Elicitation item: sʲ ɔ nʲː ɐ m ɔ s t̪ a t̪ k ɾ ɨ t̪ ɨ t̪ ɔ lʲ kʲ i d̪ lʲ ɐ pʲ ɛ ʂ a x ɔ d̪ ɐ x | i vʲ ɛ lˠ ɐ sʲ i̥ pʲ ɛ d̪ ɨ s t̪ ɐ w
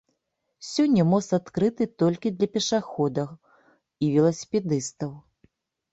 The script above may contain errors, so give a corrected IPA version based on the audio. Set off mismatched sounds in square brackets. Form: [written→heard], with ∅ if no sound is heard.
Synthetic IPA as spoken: sʲ ɔ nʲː ɐ m ɔ s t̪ a t̪ k ɾ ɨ t̪ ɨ t̪ ɔ lʲ kʲ i d̪ lʲ ɐ pʲ ɛ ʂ a x ɔ d̪ ɐ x | i vʲ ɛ lˠ ɐ sʲ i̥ pʲ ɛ d̪ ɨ s t̪ ɐ w